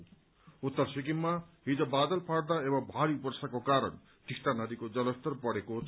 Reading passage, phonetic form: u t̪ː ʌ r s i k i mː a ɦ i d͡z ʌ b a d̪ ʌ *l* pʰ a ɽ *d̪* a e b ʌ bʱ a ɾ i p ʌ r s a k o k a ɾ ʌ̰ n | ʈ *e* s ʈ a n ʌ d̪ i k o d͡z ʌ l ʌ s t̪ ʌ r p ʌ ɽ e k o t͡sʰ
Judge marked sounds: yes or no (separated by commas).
yes, yes, no